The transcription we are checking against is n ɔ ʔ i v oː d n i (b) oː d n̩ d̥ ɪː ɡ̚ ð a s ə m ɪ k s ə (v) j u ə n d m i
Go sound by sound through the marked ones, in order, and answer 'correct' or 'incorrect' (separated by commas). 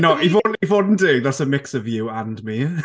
incorrect, correct